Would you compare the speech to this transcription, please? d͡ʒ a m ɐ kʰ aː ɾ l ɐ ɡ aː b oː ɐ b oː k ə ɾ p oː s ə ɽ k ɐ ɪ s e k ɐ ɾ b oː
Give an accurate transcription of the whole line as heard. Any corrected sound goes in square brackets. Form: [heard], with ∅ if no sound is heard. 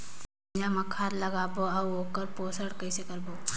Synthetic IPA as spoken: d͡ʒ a m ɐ kʰ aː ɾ l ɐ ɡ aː b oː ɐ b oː k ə ɾ p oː s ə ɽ k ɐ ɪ s e k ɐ ɾ b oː